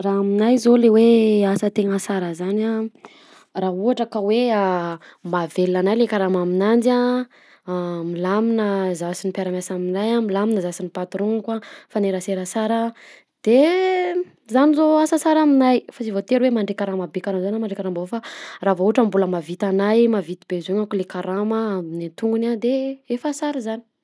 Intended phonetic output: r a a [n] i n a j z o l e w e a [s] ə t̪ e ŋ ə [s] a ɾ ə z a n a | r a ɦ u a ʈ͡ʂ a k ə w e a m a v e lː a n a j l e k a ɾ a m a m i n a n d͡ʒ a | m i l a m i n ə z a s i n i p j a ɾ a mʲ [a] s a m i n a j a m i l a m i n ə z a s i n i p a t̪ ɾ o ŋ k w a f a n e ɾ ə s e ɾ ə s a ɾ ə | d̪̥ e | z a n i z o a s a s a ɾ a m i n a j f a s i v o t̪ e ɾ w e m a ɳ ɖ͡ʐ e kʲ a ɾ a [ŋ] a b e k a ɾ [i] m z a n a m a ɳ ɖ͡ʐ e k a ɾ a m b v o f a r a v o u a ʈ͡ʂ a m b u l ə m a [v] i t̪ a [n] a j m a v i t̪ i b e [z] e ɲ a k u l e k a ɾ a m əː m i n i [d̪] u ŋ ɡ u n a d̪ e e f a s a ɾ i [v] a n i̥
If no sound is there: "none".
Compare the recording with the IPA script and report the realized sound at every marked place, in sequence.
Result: m, s, s, a, m, a, v, n, z, t̪, z

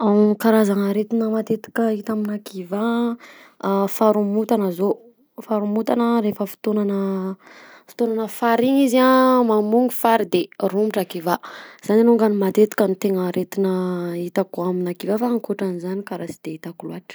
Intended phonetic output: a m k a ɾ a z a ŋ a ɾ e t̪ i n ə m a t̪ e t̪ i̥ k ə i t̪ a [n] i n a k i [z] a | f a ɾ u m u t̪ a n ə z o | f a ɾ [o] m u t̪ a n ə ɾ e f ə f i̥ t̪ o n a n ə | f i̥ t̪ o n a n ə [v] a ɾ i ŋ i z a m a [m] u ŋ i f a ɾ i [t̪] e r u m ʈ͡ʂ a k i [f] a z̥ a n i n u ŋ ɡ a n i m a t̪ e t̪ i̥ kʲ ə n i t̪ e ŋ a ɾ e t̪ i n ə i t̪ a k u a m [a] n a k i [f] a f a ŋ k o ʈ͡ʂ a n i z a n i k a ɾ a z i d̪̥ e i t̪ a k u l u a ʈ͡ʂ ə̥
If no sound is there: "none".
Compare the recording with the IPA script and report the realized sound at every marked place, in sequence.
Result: m, v, u, f, m, d̪, v, i, v

